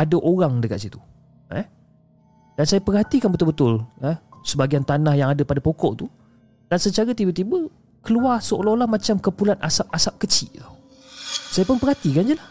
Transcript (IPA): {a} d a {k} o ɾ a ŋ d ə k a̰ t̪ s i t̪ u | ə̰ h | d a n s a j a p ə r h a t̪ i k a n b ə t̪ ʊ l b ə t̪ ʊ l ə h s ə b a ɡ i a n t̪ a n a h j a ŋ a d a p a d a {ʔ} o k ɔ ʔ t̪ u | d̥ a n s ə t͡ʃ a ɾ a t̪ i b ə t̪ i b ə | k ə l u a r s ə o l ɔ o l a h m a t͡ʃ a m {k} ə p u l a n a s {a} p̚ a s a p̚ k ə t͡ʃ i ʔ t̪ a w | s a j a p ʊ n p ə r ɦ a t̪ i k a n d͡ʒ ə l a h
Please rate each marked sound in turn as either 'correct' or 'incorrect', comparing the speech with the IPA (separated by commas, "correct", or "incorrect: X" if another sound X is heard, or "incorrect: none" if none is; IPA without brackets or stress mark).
correct, incorrect: ʔ, incorrect: p, correct, correct